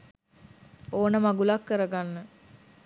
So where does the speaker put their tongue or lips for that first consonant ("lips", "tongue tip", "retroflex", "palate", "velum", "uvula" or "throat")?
tongue tip